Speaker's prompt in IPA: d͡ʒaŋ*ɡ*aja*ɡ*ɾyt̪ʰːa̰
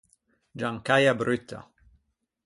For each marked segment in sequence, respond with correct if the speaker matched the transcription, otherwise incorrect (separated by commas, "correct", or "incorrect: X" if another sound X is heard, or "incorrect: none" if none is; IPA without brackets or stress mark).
incorrect: k, incorrect: b